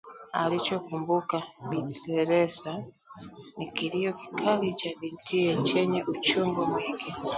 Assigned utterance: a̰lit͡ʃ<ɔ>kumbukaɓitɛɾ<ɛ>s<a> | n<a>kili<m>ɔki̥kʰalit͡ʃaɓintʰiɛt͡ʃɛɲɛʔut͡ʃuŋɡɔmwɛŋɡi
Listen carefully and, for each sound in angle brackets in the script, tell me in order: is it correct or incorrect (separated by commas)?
correct, correct, correct, incorrect, incorrect